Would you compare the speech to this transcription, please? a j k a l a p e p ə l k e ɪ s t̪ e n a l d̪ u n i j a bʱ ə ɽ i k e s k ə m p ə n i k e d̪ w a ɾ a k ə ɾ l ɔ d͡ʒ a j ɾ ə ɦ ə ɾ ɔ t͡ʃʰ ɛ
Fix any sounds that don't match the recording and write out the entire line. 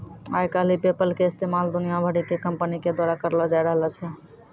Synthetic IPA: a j k a l i p e p ə l k e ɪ s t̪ e m a l d̪ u n i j a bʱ ə ɽ i k e k ə m p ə n i k e d̪ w a ɾ a k ə ɾ l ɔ d͡ʒ a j ɾ ə ɦ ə l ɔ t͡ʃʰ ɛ

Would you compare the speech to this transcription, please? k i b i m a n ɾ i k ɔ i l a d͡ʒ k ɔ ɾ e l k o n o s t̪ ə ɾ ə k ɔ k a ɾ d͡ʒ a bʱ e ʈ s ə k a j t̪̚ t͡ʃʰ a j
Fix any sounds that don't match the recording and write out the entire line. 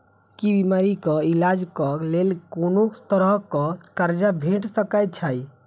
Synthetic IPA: k i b i m a ɾ i k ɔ i l a d͡ʒ k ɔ l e l k o n o s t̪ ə ɾ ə k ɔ k a ɾ d͡ʒ a bʱ e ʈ s ə k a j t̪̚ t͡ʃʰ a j

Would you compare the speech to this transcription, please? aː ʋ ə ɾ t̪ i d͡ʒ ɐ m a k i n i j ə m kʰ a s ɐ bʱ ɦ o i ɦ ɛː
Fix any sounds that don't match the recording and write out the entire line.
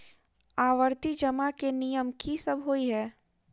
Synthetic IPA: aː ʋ ə ɾ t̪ i d͡ʒ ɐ m a k e n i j ə m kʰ i s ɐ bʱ ɦ o i ɦ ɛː

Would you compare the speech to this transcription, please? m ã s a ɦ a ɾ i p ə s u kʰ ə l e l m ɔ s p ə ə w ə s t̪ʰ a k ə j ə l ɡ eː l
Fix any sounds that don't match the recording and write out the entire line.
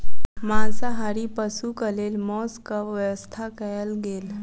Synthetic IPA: m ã s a ɦ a ɾ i p ə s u k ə l e l m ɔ s k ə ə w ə s t̪ʰ a k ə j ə l ɡ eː l

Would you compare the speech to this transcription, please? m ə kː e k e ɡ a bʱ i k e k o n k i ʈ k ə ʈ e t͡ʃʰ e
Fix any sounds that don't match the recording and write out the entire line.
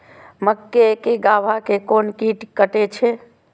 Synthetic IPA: m ə kː e k e ɡ a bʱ a k e k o n k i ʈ k ə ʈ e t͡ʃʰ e

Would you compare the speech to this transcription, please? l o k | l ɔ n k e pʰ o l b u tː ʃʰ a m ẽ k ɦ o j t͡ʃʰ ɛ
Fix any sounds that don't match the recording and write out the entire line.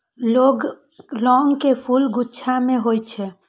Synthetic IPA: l o ɡ | l ɔ ŋ k e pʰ u l ɡ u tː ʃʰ a m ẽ ɦ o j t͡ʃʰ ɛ

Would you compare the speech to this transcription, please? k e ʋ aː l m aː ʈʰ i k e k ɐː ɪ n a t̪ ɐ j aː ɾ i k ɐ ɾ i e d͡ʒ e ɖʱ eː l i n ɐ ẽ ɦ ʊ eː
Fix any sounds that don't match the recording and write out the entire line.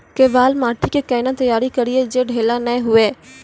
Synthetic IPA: k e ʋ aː l m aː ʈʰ i k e k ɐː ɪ n a t̪ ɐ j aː ɾ i k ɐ ɾ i e d͡ʒ e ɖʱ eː l a n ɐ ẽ ɦ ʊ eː

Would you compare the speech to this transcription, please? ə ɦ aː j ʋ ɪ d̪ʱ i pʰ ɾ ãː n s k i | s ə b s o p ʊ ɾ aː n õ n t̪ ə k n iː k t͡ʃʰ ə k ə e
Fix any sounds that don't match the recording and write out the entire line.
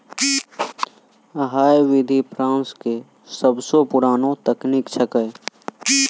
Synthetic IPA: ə ɦ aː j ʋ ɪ d̪ʱ i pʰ ɾ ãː n s k e | s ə b s o p ʊ ɾ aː n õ t̪ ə k n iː k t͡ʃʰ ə k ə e

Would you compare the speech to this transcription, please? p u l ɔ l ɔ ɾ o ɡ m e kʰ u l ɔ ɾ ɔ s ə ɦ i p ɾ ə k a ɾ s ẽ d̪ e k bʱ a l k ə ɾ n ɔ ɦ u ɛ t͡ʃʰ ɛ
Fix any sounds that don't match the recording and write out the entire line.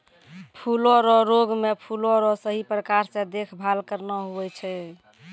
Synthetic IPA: pʰ u l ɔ ɾ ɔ ɾ o ɡ m e pʰ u l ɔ ɾ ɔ s ə ɦ i p ɾ ə k a ɾ s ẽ d̪ e kʰ bʱ a l k ə ɾ n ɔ ɦ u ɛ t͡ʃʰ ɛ

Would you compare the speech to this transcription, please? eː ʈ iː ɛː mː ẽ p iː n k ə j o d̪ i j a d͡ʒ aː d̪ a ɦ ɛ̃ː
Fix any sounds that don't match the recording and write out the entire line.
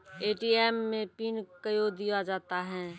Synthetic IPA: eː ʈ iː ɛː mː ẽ p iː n k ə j o d̪ i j a d͡ʒ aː t̪ a ɦ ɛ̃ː

